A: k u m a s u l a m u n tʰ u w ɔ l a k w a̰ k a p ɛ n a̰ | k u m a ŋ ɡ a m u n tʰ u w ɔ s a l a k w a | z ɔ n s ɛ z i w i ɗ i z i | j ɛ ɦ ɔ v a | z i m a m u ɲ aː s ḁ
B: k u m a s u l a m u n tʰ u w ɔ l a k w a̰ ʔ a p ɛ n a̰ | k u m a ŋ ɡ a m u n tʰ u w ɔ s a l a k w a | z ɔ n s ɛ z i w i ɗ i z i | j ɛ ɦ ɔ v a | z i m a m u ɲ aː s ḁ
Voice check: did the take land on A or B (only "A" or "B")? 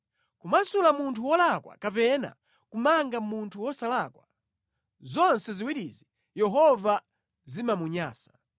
A